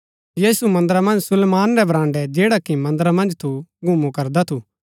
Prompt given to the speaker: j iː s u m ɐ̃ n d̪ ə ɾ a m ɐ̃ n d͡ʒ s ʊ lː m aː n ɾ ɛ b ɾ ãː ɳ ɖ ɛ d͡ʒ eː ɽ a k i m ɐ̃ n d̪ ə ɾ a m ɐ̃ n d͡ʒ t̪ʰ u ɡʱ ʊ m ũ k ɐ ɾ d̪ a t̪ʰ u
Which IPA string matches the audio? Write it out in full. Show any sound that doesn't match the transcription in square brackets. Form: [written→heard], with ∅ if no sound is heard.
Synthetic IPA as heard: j iː s u m ɐ̃ n d̪ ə ɾ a m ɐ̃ n d͡ʒ s ʊ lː m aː n ɾ ɛ b ɾ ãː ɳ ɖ ɛ d͡ʒ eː ɽ a k i m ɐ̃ n d̪ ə ɾ a m ɐ̃ n d͡ʒ t̪ʰ u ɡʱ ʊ m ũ k ɐ ɾ d̪ a t̪ʰ u